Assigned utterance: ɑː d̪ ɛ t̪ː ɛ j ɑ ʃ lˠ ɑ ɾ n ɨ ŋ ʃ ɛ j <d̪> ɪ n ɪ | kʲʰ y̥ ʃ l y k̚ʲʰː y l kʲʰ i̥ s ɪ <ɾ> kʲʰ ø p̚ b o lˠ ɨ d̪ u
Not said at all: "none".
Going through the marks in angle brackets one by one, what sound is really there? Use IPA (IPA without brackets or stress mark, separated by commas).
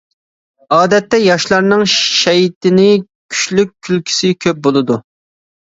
t̪, none